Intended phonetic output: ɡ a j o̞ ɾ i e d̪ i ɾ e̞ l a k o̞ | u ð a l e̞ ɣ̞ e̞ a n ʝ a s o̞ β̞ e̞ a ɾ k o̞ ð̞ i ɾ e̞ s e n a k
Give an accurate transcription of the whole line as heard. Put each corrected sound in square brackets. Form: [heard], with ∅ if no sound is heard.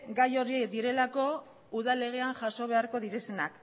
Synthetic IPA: ɡ a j o̞ ɾ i e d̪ i ɾ e̞ l a k o̞ | u ð a l e̞ ɣ̞ e̞ a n ʝ a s o̞ β̞ e̞ a ɾ k o̞ ð̞ i ɾ e̞ s e n a k